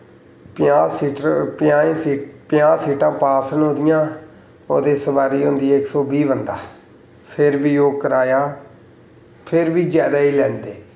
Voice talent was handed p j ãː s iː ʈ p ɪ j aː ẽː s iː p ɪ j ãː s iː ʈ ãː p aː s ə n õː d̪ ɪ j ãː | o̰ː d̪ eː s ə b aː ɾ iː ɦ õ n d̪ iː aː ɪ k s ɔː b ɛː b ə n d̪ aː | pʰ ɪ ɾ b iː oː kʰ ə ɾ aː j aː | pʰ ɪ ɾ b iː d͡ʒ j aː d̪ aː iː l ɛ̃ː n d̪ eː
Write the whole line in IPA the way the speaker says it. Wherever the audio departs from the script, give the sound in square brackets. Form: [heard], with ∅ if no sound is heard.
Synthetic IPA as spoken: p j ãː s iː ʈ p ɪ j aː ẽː s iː p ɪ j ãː s iː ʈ ãː p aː s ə n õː d̪ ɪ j ãː | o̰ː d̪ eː s ə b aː ɾ iː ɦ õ n d̪ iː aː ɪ k s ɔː b [iː] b ə n d̪ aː | pʰ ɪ ɾ b iː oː [k] ə ɾ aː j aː | pʰ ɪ ɾ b iː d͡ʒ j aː d̪ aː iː l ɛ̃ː n d̪ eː